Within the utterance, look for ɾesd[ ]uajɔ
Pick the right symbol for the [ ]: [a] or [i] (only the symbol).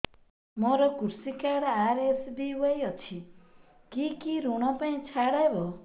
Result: i